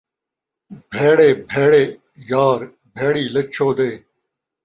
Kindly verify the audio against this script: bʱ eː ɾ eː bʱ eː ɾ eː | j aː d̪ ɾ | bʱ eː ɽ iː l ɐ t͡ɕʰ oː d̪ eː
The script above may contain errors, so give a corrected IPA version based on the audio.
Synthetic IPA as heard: bʱ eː ɽ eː bʱ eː ɽ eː | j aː ɾ | bʱ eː ɽ iː l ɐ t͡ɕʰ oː d̪ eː